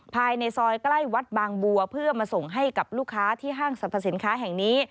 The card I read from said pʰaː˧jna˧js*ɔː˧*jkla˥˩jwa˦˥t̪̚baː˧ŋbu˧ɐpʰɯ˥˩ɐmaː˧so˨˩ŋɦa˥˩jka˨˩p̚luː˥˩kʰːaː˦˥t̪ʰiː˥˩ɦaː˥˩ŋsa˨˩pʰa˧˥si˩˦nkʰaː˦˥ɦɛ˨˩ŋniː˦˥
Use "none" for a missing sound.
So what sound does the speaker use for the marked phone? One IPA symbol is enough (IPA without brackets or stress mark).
ɔː˧